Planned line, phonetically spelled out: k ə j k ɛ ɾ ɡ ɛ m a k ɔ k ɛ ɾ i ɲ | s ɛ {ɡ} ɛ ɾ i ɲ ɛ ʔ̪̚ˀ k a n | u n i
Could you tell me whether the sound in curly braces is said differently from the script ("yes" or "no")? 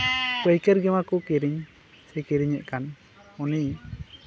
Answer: yes